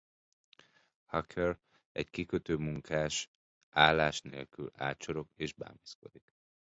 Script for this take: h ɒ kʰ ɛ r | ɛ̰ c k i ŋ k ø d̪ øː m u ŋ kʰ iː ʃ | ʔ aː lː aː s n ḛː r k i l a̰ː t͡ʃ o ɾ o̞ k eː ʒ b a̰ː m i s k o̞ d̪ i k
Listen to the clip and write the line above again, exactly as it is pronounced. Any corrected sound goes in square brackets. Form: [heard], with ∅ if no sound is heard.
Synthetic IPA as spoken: h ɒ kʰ ɛ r | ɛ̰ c k i [∅] k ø [t̪] øː m u ŋ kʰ [aː] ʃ | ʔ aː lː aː [ʃ] n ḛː [l] k [y] l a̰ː t͡ʃ o ɾ o̞ k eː ʒ b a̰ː m i s k o̞ d̪ i k